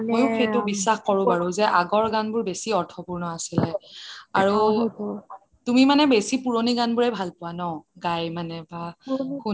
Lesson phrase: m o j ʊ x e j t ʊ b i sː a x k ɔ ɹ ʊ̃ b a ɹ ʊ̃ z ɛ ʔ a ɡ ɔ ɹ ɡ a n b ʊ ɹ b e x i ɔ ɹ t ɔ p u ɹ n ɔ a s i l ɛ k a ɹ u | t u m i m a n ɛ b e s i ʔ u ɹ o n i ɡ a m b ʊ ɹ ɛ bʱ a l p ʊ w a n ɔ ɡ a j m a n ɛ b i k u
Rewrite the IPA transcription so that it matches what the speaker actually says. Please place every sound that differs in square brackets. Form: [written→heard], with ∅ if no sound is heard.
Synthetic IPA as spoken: m o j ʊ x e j t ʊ b i sː a x k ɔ ɹ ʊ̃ b a ɹ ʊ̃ z ɛ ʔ a ɡ ɔ ɹ ɡ a n b ʊ ɹ b e [x→s] i ɔ ɹ [t→tʰ] ɔ p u ɹ n ɔ a s i l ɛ [k→∅] a ɹ u | t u m i m a n ɛ b e s i [ʔ→p] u ɹ o n i ɡ a [m→n] b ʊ ɹ ɛ bʱ a l p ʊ w a n ɔ ɡ a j m a n ɛ b [i→a] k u

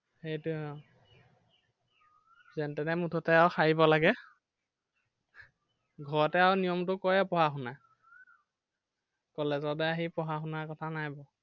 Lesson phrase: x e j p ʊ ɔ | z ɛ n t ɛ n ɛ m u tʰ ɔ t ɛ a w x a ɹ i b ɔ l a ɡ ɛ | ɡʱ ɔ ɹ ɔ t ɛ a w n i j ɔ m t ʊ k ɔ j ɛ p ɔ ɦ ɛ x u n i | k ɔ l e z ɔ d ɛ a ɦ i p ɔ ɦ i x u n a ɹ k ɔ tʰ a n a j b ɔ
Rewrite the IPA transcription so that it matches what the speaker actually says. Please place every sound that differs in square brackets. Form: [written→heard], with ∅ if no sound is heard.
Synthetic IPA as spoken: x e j [p→t] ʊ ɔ | z ɛ n t ɛ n ɛ m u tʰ ɔ t ɛ a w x a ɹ i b ɔ l a ɡ ɛ | ɡʱ ɔ ɹ ɔ t ɛ a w n i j ɔ m t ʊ k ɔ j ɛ p ɔ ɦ [ɛ→a] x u n [i→a] | k ɔ l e z ɔ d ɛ a ɦ i p ɔ ɦ [i→a] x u n a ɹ k ɔ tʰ a n a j b ɔ

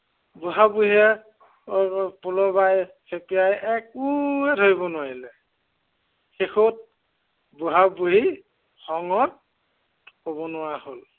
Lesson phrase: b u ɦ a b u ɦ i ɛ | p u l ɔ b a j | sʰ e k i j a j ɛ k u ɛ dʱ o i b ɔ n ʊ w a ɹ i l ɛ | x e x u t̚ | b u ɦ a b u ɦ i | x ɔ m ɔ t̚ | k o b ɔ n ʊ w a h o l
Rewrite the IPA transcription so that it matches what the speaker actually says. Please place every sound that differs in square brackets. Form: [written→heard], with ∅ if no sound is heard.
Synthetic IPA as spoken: b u ɦ a b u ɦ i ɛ | p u l ɔ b a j | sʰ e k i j a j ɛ k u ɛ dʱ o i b ɔ n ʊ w a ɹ i l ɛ | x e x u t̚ | b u ɦ a b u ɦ i | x ɔ [m→ŋ] ɔ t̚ | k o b ɔ n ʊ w a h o l

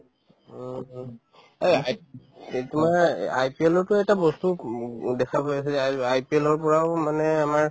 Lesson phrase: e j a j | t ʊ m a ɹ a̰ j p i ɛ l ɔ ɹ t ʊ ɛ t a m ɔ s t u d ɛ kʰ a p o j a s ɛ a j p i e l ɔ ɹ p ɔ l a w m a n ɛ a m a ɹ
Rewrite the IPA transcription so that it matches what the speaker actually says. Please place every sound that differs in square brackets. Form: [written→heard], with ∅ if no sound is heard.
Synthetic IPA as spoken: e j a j | t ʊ m a ɹ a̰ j p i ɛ l ɔ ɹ t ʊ ɛ t a [m→b] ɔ s t u d ɛ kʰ a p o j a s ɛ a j p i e l ɔ ɹ p ɔ [l→ɹ] a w m a n ɛ a m a ɹ

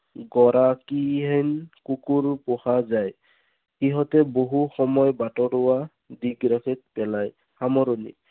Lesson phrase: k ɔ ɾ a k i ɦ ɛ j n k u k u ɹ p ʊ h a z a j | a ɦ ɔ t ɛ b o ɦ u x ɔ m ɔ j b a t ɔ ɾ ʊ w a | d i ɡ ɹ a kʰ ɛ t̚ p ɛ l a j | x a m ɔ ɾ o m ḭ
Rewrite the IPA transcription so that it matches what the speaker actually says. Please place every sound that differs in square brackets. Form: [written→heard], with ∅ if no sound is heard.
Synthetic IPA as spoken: [k→ɡ] ɔ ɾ a k i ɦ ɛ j n k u k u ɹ p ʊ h a z a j | [a→i] ɦ ɔ t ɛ b o ɦ u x ɔ m ɔ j b a t ɔ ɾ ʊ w a | d i ɡ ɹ a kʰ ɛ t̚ p ɛ l a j | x a m ɔ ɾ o [m→n] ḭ

